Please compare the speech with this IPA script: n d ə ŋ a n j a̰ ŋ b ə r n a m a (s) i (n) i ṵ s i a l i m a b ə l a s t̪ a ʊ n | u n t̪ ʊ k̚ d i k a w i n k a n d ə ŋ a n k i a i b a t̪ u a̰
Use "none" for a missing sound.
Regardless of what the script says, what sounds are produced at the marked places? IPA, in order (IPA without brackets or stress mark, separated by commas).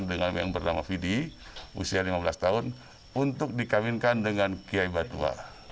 f, d